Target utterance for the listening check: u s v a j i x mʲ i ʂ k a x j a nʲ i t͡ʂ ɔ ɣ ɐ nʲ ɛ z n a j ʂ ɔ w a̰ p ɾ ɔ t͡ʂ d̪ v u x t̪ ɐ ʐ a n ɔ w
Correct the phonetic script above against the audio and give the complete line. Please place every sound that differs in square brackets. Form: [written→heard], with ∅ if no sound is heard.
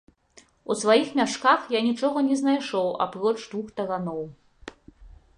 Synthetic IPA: u s v a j i x mʲ [i→a] ʂ k a x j a nʲ i t͡ʂ ɔ ɣ ɐ nʲ ɛ z n a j ʂ ɔ w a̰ p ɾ ɔ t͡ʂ d̪ v u x t̪ ɐ [ʐ→ɣ] a n ɔ w